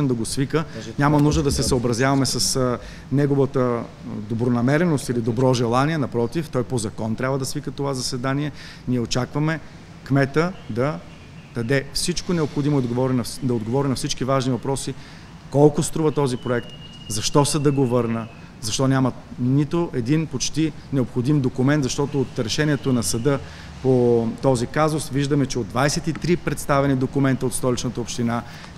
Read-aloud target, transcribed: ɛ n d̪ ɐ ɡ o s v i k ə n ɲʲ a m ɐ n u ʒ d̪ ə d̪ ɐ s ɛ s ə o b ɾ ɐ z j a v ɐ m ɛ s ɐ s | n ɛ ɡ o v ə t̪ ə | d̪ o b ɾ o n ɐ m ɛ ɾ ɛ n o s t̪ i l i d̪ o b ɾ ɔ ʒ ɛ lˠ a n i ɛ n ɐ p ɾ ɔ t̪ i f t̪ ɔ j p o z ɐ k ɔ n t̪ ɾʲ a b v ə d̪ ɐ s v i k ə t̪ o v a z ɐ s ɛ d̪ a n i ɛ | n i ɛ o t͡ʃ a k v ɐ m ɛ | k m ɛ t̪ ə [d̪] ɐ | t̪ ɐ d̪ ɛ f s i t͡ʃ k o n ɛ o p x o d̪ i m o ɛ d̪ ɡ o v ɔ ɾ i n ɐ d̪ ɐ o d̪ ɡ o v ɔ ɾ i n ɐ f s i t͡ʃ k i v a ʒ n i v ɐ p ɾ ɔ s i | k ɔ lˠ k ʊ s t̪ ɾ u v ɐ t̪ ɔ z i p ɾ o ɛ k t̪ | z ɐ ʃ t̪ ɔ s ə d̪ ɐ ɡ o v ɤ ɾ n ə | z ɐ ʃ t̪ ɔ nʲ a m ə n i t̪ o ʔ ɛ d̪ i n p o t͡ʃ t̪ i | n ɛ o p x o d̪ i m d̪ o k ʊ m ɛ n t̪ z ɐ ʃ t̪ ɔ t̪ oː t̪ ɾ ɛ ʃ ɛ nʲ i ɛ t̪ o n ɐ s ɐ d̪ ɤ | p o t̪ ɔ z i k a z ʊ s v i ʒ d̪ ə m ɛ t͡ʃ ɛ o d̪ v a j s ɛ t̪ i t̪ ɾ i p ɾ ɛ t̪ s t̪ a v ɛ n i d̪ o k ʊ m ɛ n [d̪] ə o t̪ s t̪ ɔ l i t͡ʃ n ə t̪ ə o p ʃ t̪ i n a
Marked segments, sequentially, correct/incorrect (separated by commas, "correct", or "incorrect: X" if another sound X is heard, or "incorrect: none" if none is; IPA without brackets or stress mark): correct, incorrect: t̪